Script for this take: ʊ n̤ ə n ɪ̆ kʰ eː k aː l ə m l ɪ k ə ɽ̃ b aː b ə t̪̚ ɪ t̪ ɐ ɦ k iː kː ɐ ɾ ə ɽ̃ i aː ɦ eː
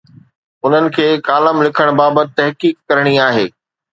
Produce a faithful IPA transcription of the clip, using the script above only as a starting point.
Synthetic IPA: ʊ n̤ ə n ɪ̆ kʰ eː k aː l ə m l ɪ kʰ ə ɽ̃ b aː b ə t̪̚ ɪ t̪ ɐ ɦ k iː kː ɐ ɾ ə ɽ̃ i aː ɦ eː

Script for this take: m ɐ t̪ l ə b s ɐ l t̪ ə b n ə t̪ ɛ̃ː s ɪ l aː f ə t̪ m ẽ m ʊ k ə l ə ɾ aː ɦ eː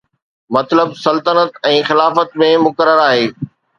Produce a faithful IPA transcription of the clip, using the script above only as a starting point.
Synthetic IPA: m ɐ t̪ l ə b s ɐ l t̪ ə n ə t̪ ɛ̃ː x ɪ l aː f ə t̪ m ẽ m ʊ k ə ɾ ə ɾ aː ɦ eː

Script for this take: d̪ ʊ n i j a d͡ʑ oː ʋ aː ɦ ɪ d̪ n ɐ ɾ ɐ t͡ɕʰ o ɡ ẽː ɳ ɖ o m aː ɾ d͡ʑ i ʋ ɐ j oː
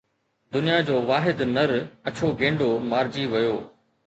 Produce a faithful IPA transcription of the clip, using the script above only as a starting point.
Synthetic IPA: d̪ ʊ n i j a d͡ʑ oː ʋ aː ɦ ɪ d̪ n ɐ ɾ ɐ t͡ɕʰ o ɡ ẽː ɳ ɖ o m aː ɾ d͡ʑ i ʋ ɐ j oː

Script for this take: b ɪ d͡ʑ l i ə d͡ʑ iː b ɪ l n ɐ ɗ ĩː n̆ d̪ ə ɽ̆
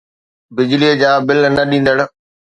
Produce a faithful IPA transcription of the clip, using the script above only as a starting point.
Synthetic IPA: b ɪ d͡ʑ l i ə d͡ʑ aː b ɪ l n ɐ ɗ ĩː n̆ d̪ ə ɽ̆

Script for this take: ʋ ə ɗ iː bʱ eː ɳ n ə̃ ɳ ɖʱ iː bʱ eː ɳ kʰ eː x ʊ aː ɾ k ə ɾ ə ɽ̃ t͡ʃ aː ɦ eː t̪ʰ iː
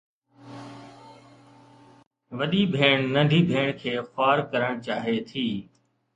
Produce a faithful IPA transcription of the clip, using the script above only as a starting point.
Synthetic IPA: ʋ ə ɗ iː bʱ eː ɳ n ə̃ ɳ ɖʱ iː bʱ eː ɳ kʰ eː x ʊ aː ɾ k ə ɾ ə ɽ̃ t͡ʃ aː ɦ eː t̪ʰ iː

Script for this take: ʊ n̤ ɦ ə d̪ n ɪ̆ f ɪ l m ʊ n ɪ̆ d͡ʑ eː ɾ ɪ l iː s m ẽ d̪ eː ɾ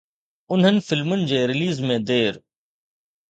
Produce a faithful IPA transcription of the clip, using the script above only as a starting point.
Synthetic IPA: ʊ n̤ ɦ ə n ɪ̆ f ɪ l m ʊ n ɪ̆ d͡ʑ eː ɾ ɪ l iː z m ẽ d̪ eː ɾ

